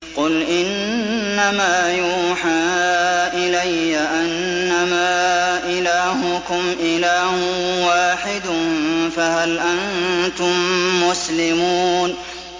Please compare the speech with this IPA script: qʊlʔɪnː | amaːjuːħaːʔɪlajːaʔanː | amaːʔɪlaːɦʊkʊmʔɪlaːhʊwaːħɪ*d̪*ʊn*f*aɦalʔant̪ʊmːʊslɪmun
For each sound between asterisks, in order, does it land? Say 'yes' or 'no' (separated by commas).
yes, yes